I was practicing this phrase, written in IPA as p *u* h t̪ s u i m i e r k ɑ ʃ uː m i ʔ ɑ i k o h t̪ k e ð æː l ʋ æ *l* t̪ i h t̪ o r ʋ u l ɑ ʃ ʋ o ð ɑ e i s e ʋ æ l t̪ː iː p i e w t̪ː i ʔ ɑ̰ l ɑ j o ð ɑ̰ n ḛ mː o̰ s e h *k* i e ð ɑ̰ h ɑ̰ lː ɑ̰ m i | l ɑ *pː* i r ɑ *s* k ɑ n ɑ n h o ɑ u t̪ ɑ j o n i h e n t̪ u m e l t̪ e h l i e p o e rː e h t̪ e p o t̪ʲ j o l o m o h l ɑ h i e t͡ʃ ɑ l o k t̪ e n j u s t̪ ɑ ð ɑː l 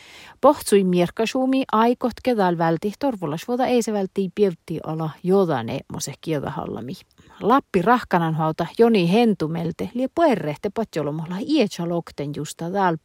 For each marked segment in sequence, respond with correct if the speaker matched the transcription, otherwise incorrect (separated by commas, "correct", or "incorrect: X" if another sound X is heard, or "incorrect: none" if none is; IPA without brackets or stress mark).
incorrect: o, correct, correct, correct, incorrect: h